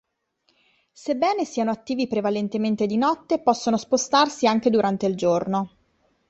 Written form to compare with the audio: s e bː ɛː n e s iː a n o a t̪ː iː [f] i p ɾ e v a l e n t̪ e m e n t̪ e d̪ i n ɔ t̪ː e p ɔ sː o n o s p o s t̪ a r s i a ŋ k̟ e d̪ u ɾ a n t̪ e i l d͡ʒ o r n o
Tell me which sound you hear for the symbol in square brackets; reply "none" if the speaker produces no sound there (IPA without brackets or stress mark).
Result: v